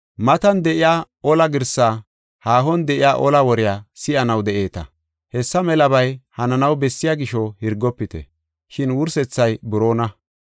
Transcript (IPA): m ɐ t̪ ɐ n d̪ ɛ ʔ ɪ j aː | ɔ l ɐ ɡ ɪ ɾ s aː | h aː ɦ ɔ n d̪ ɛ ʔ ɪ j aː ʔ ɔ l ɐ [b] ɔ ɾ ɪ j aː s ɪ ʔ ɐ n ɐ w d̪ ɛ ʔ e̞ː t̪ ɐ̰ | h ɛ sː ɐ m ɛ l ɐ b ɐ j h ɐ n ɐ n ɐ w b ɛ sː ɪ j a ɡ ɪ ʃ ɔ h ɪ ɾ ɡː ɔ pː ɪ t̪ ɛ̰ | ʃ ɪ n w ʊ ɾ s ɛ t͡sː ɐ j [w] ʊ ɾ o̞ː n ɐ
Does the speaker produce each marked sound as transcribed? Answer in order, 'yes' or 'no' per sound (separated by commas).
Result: no, no